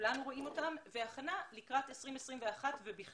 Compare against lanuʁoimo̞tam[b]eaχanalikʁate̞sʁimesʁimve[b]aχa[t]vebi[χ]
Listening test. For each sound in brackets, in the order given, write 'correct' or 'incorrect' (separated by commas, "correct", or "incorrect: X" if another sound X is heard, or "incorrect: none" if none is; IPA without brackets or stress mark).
incorrect: v, incorrect: none, correct, correct